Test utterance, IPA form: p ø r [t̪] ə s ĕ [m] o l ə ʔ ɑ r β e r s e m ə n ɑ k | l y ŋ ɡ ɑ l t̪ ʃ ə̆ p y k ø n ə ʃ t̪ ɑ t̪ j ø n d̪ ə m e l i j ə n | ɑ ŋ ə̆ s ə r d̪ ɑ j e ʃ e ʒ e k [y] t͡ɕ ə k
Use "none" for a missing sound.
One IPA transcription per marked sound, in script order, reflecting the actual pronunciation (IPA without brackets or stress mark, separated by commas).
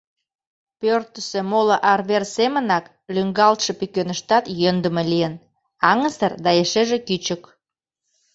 t̪, m, y